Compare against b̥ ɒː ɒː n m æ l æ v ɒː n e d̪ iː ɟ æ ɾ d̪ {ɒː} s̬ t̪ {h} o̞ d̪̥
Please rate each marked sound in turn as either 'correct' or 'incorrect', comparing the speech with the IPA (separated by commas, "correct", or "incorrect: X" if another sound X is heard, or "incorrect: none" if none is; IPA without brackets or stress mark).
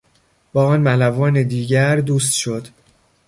incorrect: uː, incorrect: ʃ